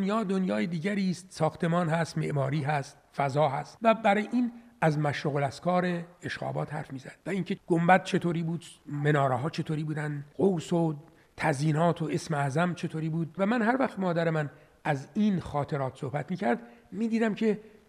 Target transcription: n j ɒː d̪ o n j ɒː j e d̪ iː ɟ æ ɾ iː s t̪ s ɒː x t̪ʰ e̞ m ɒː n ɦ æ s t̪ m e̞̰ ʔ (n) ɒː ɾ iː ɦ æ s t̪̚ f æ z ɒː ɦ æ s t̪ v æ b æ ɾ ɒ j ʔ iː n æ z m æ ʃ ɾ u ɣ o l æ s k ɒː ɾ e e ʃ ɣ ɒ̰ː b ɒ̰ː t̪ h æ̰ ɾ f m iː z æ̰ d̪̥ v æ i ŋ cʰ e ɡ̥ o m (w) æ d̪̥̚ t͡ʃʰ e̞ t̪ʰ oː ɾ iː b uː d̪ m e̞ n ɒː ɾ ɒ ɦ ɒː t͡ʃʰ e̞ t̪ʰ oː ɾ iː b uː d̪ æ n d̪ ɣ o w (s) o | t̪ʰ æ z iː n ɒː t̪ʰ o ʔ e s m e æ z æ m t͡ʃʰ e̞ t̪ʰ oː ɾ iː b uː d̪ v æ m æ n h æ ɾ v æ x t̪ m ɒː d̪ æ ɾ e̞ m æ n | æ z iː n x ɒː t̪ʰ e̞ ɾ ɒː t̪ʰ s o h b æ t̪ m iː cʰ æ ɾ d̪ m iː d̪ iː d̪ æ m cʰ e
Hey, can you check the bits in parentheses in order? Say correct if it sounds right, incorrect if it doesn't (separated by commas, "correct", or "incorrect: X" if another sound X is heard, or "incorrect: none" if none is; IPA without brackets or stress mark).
incorrect: m, incorrect: b, correct